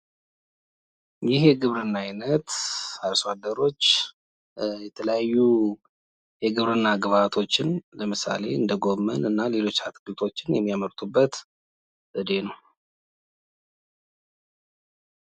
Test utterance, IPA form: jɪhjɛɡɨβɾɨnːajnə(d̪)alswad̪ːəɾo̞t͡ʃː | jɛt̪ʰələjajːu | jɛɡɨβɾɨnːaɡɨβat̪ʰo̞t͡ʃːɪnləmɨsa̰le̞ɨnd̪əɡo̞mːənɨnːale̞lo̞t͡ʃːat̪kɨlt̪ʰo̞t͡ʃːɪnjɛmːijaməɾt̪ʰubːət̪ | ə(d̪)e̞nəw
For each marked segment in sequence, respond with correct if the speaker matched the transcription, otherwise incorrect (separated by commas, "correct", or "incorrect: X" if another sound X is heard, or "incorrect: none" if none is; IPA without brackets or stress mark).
incorrect: t̪, correct